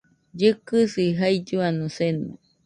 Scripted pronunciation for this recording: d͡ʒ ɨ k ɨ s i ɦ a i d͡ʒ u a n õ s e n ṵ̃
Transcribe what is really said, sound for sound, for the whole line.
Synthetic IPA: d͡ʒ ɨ k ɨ s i ɦ a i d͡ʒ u a n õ s e n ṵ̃